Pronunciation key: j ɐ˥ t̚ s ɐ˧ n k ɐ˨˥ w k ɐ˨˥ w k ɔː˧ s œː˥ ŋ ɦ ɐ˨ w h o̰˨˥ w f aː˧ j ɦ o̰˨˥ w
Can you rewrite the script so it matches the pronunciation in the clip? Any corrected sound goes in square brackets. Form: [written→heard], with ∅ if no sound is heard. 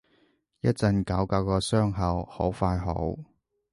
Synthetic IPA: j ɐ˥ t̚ [s→t͡s] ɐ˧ n k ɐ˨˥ w k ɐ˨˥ w k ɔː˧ s œː˥ ŋ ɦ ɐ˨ w h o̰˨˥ w f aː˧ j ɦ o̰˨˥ w